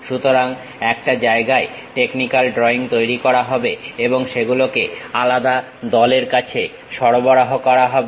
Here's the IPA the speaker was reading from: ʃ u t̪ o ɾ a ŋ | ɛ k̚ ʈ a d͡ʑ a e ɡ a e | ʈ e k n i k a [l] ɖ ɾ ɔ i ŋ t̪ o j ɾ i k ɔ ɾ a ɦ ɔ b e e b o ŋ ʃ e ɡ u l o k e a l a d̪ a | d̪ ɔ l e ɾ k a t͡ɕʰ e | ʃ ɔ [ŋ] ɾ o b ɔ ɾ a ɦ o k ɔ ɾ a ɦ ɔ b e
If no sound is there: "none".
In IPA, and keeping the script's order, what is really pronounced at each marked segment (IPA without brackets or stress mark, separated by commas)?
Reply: l, none